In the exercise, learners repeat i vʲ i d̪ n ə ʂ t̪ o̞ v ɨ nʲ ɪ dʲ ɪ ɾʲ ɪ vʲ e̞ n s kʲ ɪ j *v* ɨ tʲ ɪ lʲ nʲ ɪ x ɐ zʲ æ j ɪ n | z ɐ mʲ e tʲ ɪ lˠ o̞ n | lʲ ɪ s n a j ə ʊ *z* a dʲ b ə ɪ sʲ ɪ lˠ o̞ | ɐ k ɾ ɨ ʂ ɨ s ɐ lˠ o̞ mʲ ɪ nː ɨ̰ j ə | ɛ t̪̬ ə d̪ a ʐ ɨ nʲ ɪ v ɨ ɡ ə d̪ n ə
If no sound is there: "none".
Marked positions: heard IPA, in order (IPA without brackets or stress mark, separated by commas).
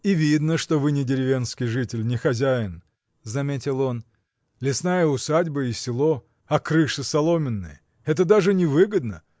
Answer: ʐ, s